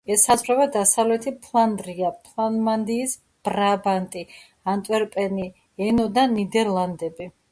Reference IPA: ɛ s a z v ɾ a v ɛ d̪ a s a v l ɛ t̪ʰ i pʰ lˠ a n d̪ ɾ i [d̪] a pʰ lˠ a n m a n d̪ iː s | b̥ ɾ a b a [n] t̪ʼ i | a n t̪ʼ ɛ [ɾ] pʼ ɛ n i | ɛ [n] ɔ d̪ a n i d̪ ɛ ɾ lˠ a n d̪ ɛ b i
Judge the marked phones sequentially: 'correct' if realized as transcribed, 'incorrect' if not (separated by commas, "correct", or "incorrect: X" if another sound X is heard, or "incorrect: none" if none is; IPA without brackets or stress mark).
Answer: incorrect: none, correct, correct, correct